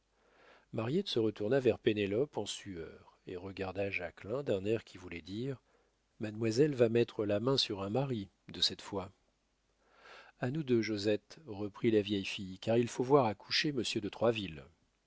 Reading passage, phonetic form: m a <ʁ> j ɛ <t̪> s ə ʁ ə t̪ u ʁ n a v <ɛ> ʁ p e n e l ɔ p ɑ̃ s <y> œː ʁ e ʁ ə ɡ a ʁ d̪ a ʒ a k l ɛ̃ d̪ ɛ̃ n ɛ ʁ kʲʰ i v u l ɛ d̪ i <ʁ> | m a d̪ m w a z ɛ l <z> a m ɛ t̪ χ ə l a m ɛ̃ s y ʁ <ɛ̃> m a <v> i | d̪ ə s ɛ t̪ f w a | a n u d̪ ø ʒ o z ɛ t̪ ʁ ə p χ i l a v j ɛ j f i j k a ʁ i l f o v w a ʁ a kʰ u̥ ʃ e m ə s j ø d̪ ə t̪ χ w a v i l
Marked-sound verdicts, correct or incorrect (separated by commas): correct, correct, correct, correct, correct, incorrect, correct, incorrect